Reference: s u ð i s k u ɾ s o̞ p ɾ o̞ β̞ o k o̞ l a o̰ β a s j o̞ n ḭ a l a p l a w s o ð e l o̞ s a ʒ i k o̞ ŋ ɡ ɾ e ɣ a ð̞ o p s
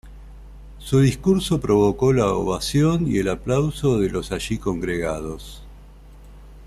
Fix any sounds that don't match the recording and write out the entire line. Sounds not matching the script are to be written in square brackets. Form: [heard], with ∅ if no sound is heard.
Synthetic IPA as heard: s u ð i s k u ɾ s o̞ p ɾ o̞ β̞ o k o̞ l a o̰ β a s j o̞ n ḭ [e] l a p l a w s o ð e l o̞ s a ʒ i k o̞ ŋ ɡ ɾ e ɣ a ð̞ o [∅] s